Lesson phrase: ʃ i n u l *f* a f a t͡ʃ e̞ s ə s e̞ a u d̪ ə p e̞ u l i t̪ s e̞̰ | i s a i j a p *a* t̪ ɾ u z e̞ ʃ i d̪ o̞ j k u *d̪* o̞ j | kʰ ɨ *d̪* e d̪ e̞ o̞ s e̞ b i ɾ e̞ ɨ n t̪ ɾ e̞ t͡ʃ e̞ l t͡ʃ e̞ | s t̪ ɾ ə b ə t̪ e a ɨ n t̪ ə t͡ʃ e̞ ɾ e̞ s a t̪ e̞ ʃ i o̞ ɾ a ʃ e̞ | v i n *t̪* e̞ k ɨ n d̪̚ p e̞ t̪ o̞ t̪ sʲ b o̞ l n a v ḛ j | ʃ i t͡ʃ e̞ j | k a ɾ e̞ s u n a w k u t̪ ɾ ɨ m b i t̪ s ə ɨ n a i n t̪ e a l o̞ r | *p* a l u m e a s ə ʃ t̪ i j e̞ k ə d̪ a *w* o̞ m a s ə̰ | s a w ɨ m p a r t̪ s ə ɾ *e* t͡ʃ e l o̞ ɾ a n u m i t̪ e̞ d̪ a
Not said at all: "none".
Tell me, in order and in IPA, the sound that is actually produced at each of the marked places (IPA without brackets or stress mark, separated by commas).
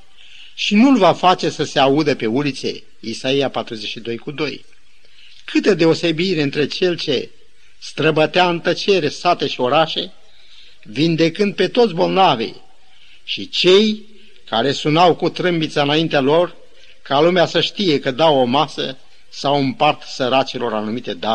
v, a, d̪, t̪, d̪, k, w, a